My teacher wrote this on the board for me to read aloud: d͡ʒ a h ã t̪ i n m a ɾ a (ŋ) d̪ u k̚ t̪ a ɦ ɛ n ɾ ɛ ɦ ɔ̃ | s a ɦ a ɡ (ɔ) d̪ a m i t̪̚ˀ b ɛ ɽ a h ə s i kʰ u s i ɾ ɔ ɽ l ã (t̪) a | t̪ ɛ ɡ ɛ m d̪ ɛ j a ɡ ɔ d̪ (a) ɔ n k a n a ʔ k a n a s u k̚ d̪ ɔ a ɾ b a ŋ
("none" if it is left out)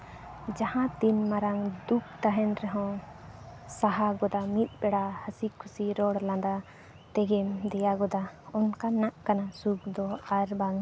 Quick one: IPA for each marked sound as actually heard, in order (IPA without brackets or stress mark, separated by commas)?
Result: ŋ, ɔ, d̪, a